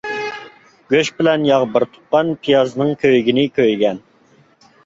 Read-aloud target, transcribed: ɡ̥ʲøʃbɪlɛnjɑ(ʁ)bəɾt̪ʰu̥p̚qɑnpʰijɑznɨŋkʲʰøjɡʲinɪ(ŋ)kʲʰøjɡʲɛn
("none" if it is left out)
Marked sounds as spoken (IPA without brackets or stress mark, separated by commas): ʁ, none